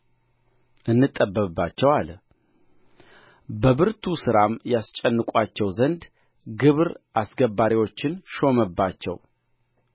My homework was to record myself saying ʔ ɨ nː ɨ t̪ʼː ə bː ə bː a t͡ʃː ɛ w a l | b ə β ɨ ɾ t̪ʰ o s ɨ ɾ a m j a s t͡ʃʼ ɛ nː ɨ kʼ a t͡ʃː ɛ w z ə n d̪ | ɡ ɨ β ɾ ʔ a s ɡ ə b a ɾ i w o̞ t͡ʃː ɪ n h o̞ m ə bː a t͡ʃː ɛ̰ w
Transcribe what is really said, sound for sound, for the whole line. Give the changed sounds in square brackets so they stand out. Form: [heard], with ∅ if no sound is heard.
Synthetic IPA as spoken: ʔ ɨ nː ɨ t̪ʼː ə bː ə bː a t͡ʃː ɛ w a l | b ə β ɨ ɾ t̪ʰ [u] s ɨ ɾ a m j a s t͡ʃʼ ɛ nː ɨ kʼ a t͡ʃː ɛ w z ə n d̪ | ɡ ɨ β ɾ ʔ a s ɡ ə b a ɾ i w o̞ t͡ʃː ɪ n [ʃ] o̞ m ə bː a t͡ʃː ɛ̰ w